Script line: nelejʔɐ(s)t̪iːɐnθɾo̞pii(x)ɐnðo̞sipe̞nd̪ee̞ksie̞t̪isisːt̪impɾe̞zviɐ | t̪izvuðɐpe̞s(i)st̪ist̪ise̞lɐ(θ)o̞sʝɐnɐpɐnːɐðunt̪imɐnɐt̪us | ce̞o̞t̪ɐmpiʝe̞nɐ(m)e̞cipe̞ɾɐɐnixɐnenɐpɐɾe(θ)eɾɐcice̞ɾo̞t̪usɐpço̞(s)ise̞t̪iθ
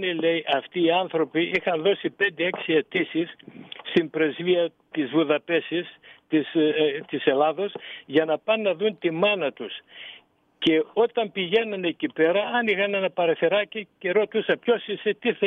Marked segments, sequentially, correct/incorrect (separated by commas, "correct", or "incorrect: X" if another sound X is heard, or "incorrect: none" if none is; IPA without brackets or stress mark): incorrect: f, correct, correct, incorrect: ð, incorrect: n, correct, correct